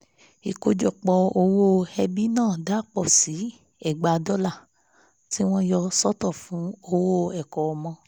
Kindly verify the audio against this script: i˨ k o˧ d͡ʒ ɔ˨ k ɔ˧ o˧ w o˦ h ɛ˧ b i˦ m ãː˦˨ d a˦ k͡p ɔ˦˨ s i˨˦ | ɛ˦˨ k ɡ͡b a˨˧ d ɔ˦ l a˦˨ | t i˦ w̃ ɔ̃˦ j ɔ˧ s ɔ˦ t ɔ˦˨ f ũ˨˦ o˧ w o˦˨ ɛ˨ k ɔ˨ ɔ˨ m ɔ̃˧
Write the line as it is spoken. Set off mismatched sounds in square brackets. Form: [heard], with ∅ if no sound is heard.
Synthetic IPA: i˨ k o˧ d͡ʒ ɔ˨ [k͡p] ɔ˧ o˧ w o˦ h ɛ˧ b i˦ [n] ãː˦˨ d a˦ k͡p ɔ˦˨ s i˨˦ | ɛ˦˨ [∅] ɡ͡b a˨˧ d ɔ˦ l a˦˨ | t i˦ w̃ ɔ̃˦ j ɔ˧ s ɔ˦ t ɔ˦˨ f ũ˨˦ o˧ w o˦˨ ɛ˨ k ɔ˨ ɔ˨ m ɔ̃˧